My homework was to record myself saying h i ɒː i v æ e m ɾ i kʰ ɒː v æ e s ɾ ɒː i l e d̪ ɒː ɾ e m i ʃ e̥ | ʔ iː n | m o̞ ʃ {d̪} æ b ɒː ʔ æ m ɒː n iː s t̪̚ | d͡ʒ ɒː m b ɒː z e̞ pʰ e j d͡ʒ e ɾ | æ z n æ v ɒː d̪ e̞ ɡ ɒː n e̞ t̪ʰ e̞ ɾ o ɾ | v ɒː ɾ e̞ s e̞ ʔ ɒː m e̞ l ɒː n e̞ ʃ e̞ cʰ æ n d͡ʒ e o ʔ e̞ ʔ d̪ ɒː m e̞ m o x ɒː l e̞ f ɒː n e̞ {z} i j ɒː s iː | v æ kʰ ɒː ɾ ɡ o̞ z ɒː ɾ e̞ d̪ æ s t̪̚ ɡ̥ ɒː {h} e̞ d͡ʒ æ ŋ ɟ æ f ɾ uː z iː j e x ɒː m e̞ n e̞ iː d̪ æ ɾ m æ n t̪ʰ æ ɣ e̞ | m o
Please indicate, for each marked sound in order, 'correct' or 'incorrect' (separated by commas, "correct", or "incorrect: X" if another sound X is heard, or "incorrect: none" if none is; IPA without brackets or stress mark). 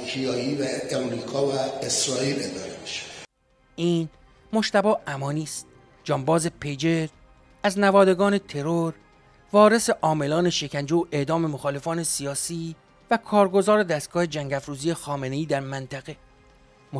incorrect: t̪, incorrect: s, correct